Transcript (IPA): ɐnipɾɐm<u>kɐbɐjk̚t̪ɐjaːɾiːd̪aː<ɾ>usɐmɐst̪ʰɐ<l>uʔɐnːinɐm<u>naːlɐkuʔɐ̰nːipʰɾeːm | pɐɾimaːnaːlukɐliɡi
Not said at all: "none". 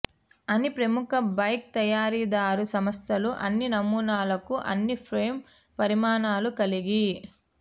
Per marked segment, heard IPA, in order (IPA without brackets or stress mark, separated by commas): u, ɾ, l, uː